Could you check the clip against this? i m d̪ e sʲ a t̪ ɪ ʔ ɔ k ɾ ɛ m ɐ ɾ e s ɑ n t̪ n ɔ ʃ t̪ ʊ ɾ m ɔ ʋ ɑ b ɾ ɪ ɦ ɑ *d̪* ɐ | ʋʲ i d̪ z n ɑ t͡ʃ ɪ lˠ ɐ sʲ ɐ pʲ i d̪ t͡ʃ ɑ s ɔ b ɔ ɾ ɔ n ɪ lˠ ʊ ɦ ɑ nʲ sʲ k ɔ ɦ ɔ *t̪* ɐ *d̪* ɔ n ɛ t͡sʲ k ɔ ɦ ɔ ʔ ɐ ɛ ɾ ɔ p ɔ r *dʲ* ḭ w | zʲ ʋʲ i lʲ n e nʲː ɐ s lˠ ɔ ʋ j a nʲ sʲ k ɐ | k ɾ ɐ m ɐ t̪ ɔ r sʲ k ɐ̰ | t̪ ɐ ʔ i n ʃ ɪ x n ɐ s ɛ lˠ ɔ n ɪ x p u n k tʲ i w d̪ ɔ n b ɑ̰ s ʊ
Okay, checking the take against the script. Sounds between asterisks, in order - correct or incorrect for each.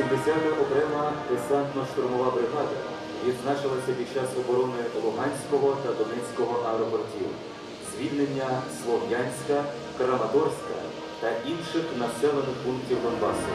correct, correct, correct, incorrect

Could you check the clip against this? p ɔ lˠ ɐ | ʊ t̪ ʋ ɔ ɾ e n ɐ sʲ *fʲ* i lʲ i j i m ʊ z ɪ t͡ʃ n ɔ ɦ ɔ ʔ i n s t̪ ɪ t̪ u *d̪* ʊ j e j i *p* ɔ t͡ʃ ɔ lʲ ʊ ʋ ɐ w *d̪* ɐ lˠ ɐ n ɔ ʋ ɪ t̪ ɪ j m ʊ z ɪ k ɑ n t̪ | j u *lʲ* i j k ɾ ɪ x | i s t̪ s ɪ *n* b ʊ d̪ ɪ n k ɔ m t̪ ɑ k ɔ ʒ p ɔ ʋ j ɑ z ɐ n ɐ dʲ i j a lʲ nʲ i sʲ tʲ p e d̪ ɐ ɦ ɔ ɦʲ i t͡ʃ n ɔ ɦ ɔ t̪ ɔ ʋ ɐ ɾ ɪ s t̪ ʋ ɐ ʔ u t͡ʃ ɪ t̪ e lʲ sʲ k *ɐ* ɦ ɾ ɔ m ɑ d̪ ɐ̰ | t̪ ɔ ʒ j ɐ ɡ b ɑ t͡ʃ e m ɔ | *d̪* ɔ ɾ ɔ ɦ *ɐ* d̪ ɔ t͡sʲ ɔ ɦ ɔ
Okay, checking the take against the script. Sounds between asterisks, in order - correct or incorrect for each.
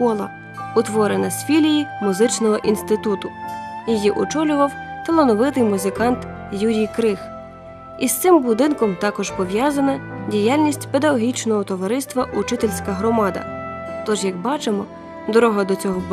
correct, incorrect, incorrect, incorrect, incorrect, incorrect, correct, correct, correct

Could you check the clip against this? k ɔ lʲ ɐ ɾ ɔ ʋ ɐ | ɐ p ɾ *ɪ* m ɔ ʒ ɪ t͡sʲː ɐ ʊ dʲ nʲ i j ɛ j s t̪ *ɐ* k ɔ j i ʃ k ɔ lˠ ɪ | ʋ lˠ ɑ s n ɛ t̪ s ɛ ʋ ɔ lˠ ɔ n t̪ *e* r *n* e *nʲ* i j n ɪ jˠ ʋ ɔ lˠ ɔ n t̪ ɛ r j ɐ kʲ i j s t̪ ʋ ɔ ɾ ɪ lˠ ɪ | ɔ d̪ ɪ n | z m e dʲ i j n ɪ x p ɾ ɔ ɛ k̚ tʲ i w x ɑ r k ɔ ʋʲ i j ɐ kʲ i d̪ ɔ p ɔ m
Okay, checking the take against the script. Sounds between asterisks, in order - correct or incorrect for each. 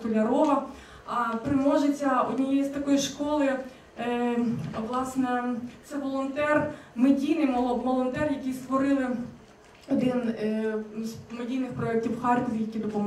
correct, correct, incorrect, incorrect, incorrect

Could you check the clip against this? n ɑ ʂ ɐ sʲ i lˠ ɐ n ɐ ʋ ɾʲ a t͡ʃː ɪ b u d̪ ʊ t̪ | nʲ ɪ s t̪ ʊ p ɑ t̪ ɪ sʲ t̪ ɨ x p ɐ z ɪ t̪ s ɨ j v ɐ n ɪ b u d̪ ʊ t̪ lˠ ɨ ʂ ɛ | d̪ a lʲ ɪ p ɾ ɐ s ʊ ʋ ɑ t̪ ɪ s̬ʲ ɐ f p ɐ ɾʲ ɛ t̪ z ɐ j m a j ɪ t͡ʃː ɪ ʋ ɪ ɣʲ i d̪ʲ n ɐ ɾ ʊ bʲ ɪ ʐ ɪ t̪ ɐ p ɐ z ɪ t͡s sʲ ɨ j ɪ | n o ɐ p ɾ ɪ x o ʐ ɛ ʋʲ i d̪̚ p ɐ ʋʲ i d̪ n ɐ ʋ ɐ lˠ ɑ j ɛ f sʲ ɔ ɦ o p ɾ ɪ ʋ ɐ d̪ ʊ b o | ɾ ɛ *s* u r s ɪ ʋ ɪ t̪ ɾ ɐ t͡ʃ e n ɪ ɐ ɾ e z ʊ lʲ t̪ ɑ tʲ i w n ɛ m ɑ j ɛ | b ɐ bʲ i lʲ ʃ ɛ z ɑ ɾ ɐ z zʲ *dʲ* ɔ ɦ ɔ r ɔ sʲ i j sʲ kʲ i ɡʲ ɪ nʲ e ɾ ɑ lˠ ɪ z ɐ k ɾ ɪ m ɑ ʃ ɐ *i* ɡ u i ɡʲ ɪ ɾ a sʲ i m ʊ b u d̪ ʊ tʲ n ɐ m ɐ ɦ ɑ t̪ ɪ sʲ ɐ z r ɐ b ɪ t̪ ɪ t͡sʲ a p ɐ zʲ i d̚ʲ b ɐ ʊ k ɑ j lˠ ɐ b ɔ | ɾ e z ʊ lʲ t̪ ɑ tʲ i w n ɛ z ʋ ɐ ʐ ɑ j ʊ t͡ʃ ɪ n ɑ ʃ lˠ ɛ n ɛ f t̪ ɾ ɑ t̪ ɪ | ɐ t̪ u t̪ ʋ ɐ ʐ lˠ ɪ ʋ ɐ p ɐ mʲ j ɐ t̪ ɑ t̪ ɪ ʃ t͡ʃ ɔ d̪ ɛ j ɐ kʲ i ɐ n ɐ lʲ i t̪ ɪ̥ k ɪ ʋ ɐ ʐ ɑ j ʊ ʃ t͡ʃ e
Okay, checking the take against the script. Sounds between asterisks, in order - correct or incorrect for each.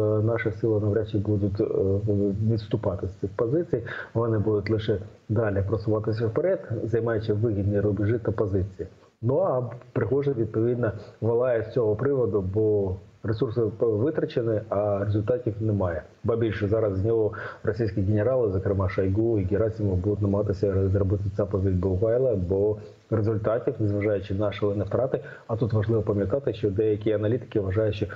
correct, incorrect, incorrect

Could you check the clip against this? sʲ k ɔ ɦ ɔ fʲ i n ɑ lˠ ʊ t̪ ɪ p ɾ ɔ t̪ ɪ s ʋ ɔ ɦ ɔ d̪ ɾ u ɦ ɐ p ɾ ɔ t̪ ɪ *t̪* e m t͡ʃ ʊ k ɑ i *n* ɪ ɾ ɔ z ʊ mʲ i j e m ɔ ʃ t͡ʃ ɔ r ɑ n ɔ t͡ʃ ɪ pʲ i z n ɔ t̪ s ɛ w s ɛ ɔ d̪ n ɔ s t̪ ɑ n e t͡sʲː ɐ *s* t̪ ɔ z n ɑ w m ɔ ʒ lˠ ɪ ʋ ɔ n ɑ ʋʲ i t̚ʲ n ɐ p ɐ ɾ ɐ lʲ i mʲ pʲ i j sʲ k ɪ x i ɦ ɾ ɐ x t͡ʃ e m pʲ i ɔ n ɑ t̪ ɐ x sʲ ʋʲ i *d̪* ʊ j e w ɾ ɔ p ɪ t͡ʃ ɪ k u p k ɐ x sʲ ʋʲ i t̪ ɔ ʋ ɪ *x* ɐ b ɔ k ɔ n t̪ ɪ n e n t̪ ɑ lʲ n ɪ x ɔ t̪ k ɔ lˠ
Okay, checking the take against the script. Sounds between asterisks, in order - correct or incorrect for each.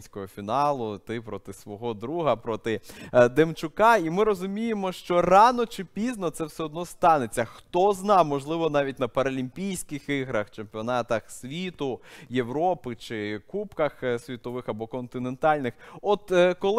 incorrect, incorrect, incorrect, incorrect, correct

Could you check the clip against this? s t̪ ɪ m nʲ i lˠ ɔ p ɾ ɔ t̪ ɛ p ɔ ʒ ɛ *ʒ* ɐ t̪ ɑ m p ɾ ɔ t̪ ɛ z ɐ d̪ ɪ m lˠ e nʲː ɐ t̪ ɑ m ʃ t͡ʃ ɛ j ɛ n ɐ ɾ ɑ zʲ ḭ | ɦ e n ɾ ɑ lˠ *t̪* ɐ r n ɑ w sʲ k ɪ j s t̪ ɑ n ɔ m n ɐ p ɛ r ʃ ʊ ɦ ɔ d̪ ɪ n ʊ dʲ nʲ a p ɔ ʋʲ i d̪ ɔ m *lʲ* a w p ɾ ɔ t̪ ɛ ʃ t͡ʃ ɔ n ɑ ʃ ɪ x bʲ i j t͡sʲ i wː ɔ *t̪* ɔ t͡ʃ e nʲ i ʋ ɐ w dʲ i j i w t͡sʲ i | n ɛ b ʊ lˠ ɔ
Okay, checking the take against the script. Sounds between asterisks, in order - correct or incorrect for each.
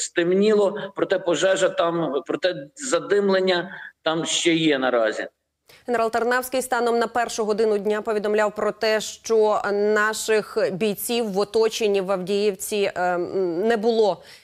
correct, correct, correct, correct

